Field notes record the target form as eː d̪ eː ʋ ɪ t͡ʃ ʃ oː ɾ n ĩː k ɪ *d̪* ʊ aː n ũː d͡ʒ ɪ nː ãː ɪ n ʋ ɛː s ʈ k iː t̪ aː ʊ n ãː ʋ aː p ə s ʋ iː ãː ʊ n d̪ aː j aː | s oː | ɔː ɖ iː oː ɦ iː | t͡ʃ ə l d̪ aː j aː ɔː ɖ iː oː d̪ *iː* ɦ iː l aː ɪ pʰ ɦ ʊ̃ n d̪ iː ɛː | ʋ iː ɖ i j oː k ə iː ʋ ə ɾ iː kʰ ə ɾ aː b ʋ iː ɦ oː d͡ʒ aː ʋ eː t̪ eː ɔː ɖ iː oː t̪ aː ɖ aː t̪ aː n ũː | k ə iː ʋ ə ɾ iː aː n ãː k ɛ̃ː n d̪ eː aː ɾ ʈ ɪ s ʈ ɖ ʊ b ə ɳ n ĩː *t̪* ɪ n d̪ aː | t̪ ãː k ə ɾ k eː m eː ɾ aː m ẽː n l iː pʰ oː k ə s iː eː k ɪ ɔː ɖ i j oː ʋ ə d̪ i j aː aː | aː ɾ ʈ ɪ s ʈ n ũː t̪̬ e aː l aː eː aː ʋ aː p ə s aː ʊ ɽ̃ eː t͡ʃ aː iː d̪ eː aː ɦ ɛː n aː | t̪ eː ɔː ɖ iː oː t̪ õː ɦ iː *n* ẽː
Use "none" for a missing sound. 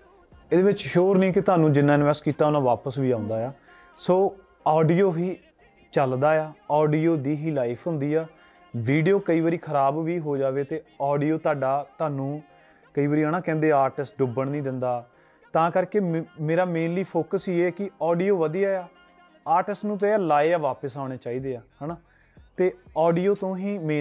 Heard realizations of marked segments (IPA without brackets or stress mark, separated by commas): t̪, iː, d̪, m